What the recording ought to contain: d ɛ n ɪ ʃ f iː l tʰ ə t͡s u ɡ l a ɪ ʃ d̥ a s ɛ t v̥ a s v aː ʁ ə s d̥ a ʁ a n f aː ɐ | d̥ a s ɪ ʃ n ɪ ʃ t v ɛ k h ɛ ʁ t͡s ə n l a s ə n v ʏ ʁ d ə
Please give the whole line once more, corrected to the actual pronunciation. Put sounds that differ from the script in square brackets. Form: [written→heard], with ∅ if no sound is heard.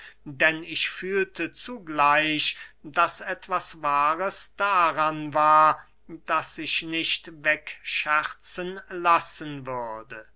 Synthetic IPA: d ɛ n ɪ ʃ f [iː→yː] l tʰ ə t͡s u ɡ l a ɪ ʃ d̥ a s ɛ t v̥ a s v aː ʁ ə s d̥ a ʁ a n [f→v] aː ɐ | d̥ a s ɪ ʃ n ɪ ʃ t v ɛ k [h→ʃ] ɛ ʁ t͡s ə n l a s ə n v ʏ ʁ d ə